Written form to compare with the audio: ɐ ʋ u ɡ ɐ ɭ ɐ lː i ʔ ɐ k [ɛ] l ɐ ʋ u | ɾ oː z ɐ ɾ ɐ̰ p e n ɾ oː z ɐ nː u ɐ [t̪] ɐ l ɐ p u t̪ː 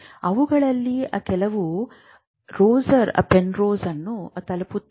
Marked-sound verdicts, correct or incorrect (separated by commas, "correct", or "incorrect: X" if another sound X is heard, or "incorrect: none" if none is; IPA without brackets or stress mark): correct, correct